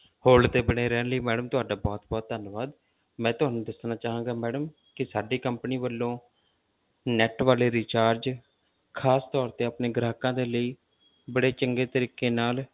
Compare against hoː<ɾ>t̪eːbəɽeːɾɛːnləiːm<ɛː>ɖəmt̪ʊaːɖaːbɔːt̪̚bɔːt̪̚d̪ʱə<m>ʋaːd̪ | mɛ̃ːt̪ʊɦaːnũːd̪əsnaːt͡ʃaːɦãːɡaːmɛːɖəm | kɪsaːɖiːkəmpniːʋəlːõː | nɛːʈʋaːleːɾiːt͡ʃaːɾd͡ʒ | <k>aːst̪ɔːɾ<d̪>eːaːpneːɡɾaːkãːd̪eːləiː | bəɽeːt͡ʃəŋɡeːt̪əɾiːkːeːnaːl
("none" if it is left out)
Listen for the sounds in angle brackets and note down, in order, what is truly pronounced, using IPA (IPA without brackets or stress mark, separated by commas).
l, ɛː, n, kʰ, t̪